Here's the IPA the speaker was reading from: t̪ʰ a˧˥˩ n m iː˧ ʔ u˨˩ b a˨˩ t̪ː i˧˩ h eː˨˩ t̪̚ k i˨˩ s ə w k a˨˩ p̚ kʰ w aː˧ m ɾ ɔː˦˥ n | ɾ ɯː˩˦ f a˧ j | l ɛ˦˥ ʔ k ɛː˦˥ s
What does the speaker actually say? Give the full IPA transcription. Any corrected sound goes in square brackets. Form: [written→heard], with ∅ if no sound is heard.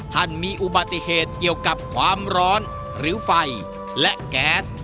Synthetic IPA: t̪ʰ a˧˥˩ n m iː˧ ʔ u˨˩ b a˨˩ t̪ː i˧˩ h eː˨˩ t̪̚ k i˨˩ [s→∅] ə w k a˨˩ p̚ kʰ w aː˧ m ɾ ɔː˦˥ n | ɾ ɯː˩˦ f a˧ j | l ɛ˦˥ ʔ k ɛː˦˥ s